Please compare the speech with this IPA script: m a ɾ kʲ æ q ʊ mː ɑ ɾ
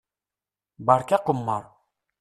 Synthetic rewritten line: b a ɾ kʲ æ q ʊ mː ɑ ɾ